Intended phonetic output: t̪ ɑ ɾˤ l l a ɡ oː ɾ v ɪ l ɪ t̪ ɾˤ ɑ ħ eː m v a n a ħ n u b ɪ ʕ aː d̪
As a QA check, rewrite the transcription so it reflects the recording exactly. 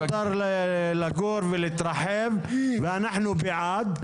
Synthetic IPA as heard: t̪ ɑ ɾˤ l l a ɡ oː ɾ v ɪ l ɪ t̪ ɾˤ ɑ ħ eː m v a n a ħ n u b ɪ ʕ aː d̪